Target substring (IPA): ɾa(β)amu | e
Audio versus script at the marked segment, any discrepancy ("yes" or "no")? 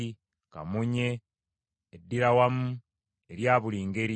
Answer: yes